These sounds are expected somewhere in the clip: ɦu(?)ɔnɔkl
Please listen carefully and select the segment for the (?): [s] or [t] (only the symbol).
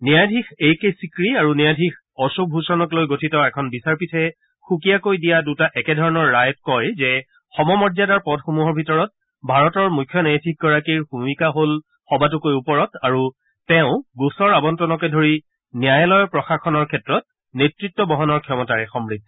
s